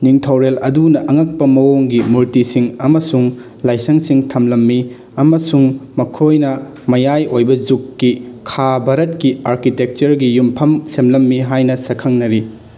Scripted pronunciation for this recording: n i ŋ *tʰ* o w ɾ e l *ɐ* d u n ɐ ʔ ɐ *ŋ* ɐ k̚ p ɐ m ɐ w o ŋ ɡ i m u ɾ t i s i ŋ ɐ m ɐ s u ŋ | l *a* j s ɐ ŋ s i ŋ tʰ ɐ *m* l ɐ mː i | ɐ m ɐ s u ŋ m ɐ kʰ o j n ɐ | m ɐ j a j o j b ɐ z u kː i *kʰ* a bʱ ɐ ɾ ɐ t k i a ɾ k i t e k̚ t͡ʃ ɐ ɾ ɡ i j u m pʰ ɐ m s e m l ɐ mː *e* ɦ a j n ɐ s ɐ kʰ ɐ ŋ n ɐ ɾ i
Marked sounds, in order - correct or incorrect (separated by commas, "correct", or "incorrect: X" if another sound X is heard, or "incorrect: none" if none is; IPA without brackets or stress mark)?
correct, correct, correct, correct, correct, correct, incorrect: i